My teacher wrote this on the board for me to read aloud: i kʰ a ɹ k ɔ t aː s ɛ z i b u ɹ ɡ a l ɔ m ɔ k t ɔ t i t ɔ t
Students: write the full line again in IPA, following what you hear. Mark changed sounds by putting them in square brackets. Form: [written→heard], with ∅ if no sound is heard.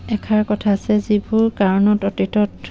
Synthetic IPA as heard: [i→ɛ] kʰ a ɹ k ɔ [t→tʰ] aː s ɛ z i b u ɹ [ɡ→k] a [l→ɹ] ɔ [m→n] ɔ [k→∅] t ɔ t i t ɔ t